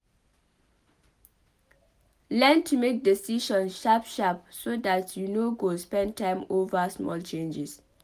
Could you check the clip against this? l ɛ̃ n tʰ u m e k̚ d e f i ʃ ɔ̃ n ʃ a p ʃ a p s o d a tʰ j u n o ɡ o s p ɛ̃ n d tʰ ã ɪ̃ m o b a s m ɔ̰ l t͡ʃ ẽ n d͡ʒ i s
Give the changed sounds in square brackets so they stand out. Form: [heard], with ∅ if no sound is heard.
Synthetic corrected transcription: l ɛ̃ n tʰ u m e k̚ d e [s] i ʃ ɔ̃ n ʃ a p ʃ a p s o d a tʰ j u n o ɡ o s p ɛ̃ n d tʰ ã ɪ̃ m o [v] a s m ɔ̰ l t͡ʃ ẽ n d͡ʒ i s